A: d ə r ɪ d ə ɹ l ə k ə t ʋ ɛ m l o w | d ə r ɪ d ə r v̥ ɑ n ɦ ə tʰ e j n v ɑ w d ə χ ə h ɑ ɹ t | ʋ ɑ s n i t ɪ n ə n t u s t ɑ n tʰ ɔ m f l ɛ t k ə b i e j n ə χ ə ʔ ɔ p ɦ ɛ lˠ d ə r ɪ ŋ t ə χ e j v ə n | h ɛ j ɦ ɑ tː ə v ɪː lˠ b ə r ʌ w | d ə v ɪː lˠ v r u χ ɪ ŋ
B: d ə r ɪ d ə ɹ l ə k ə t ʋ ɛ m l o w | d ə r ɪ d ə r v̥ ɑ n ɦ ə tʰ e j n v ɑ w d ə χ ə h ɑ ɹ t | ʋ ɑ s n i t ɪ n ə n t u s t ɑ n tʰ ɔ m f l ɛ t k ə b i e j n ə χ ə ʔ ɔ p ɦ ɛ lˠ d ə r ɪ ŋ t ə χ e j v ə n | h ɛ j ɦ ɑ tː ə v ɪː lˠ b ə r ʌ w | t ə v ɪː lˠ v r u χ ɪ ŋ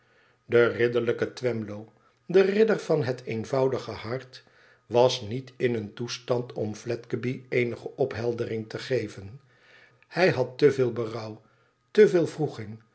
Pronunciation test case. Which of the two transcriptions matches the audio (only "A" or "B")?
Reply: B